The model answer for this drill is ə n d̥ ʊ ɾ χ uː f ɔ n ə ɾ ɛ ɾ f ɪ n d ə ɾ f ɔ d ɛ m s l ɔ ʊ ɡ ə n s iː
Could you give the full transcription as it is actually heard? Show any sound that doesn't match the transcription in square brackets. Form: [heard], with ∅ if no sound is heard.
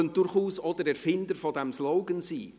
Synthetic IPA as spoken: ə n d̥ ʊ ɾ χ uː [s] ɔ [d] ə ɾ ɛ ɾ f ɪ n d ə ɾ f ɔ d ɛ m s l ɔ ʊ ɡ ə n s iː